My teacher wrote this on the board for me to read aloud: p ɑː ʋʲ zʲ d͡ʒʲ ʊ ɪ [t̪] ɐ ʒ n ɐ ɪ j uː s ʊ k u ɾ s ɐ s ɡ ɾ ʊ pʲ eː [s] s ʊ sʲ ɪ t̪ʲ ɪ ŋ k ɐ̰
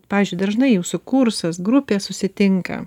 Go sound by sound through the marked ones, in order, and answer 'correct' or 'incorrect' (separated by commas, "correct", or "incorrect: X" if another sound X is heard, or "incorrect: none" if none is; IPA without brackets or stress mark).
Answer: incorrect: d̪, correct